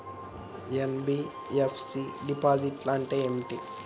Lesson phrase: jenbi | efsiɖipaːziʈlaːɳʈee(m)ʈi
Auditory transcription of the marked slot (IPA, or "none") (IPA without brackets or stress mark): m